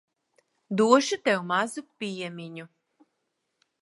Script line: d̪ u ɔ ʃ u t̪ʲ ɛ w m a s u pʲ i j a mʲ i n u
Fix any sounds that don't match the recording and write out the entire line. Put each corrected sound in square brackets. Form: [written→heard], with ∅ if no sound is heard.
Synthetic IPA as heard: d̪ u ɔ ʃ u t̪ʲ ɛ w m a [s→z] u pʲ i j [a→ɛ] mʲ i [n→ɲ] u